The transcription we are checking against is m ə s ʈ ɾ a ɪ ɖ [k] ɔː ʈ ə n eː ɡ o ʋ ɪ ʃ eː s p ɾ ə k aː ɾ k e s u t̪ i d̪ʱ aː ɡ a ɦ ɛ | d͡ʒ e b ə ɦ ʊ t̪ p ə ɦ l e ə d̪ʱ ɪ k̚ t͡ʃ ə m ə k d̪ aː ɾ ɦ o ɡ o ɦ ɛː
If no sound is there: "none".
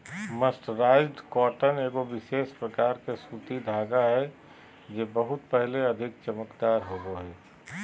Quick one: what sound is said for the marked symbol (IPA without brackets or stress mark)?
k